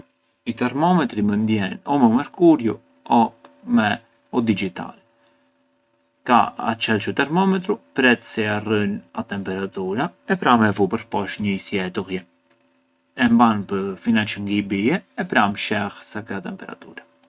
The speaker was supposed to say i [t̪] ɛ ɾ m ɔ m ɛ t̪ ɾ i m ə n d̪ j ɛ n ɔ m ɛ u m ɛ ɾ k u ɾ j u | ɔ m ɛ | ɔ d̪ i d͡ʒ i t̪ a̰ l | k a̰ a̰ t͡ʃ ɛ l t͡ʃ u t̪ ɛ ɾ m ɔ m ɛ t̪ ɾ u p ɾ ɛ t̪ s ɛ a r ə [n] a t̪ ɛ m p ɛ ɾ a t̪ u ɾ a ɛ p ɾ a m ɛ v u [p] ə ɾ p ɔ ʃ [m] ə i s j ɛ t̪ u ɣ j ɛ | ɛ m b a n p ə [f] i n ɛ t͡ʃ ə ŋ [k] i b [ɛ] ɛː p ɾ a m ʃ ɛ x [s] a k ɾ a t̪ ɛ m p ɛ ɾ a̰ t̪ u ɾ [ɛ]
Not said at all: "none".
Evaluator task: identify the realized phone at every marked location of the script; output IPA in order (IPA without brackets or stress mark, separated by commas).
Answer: t̪, n, p, ɲ, f, ɡ, i, s, a